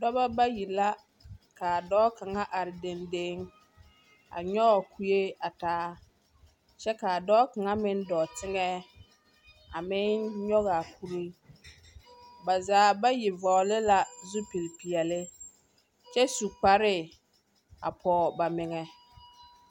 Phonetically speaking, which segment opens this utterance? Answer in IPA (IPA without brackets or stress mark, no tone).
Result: d